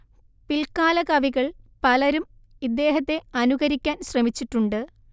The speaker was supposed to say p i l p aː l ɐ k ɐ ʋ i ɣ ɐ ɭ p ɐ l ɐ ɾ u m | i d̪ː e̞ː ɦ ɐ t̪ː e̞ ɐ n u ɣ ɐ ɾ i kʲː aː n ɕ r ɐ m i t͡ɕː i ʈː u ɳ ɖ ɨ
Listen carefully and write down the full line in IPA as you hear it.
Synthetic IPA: p i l k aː l ɐ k ɐ ʋ i ɣ ɐ ɭ p ɐ l ɐ ɾ u m | i d̪ː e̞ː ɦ ɐ t̪ː e̞ ɐ n u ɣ ɐ ɾ i kʲː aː n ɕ r ɐ m i t͡ɕː i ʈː u ɳ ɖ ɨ